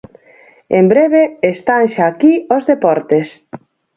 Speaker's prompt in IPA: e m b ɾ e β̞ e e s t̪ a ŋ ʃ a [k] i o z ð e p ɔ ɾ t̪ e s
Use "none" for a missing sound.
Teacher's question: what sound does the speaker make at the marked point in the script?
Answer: k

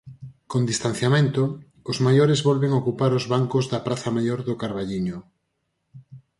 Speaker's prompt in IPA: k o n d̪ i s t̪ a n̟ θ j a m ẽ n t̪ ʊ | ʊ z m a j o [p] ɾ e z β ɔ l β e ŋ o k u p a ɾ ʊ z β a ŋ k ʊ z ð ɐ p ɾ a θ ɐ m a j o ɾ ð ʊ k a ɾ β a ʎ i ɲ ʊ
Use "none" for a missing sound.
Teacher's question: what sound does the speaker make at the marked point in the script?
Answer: none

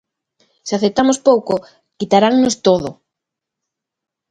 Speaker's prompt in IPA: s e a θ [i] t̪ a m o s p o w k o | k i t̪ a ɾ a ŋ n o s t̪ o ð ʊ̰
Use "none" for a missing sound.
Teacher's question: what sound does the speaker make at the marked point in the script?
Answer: e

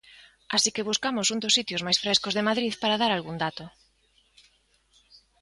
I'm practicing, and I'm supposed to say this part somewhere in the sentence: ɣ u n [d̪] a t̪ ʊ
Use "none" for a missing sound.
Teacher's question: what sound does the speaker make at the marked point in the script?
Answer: d̪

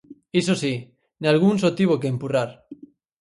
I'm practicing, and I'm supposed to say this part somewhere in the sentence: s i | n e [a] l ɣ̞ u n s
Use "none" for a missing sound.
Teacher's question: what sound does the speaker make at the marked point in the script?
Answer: a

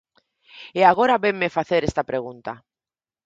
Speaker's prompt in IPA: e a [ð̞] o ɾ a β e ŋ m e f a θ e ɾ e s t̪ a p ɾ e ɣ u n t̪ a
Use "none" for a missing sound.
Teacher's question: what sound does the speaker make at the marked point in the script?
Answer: ɣ̞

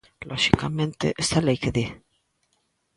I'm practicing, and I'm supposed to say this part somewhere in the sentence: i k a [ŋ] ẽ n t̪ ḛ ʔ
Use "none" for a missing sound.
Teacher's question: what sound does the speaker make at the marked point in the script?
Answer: m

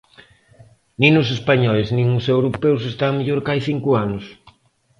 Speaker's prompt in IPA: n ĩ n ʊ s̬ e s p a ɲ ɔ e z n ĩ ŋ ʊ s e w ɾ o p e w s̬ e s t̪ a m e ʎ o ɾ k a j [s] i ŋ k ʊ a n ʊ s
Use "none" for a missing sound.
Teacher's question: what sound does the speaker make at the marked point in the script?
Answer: θ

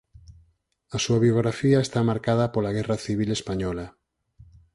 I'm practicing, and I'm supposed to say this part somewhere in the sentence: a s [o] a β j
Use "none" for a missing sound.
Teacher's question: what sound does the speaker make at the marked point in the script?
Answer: u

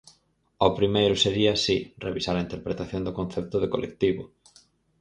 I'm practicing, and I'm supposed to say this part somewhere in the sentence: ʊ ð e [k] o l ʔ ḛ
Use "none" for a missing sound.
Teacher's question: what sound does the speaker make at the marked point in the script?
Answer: k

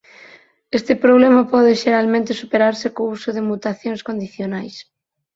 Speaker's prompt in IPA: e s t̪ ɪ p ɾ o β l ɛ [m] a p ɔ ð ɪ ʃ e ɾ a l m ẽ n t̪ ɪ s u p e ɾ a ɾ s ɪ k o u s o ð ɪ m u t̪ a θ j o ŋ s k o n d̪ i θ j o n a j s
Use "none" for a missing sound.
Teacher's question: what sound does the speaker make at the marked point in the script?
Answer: m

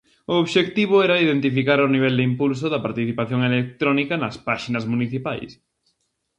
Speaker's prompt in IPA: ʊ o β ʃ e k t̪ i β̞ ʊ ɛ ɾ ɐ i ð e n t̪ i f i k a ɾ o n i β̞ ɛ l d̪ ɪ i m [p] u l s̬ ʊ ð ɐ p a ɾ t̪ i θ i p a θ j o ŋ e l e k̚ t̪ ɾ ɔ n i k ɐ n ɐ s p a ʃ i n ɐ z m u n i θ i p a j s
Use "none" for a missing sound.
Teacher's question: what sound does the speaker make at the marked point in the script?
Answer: p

